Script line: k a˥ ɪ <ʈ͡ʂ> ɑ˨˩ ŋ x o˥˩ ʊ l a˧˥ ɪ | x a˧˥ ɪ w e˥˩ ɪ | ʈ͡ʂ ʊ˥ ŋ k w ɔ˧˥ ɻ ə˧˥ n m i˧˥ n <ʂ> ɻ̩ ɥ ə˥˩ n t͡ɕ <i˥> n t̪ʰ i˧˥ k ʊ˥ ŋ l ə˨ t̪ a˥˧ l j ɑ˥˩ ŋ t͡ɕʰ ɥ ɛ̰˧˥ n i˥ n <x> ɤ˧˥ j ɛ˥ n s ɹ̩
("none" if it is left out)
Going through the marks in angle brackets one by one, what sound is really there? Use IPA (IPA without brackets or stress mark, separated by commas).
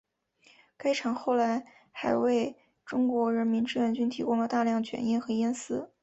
ʈ͡ʂʰ, ʈ͡ʂ, y˥, x